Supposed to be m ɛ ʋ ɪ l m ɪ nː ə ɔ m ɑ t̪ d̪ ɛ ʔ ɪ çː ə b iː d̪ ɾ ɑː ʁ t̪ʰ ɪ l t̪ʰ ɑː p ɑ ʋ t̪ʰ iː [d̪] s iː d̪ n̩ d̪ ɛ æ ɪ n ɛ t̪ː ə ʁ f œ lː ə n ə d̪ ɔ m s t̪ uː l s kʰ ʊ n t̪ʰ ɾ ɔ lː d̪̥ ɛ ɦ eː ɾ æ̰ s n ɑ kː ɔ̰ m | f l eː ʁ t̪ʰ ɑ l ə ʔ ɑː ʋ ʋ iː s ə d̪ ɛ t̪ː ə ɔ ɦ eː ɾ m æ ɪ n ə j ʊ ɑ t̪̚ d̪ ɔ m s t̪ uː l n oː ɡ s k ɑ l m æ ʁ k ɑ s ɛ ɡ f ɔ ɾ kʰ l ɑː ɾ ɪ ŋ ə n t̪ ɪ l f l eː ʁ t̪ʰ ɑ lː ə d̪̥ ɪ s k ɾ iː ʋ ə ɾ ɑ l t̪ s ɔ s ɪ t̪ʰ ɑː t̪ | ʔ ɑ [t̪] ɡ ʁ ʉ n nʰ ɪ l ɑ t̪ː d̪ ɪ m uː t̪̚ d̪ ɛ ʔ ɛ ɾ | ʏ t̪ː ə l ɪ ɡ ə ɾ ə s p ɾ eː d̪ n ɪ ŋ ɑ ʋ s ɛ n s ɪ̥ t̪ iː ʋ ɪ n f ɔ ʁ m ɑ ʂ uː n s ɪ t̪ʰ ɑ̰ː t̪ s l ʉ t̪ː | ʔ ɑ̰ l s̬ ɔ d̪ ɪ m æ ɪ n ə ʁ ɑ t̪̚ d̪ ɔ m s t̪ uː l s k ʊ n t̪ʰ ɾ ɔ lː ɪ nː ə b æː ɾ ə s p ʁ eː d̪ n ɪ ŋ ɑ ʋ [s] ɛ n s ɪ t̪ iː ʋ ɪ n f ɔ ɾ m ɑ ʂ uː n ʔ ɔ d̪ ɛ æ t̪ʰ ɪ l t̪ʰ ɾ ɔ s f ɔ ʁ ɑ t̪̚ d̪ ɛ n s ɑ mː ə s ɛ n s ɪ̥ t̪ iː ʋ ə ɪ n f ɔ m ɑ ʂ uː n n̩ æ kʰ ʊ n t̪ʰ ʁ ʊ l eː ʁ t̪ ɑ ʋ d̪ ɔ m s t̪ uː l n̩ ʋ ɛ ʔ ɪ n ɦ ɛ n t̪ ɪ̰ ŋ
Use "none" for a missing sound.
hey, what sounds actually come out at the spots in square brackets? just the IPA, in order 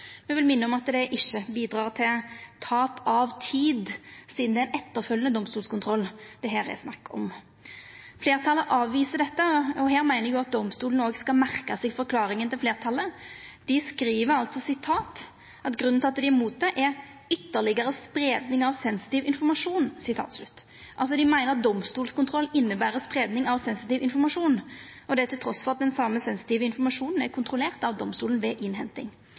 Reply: d̪, t̪, s

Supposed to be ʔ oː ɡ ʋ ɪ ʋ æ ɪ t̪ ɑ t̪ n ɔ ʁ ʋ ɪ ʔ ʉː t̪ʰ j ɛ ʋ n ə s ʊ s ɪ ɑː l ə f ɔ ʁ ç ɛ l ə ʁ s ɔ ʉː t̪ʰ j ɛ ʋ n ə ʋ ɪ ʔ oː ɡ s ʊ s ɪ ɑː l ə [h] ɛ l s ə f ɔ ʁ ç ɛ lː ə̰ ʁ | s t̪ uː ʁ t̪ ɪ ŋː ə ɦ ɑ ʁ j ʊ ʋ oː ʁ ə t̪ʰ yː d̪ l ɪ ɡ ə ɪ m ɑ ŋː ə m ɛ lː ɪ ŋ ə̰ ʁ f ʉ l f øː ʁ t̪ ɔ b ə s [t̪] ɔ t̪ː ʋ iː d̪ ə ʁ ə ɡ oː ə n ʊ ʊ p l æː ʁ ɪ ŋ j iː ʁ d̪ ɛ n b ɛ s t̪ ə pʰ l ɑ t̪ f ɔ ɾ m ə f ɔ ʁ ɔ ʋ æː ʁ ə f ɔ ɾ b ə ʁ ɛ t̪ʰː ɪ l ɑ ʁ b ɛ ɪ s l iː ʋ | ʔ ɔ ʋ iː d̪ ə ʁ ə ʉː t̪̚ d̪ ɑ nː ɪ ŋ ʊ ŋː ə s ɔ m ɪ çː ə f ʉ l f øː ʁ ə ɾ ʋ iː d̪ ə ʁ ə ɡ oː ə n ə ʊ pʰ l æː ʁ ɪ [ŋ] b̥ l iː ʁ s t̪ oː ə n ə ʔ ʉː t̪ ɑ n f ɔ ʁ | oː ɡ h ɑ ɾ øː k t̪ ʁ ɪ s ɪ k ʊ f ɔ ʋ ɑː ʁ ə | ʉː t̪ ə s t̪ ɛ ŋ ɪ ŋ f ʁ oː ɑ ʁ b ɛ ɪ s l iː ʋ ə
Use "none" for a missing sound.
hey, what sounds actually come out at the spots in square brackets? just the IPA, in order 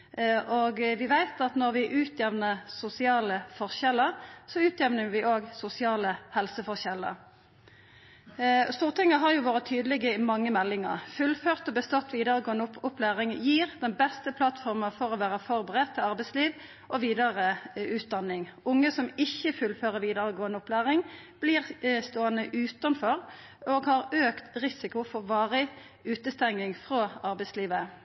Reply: h, t̪, ŋ

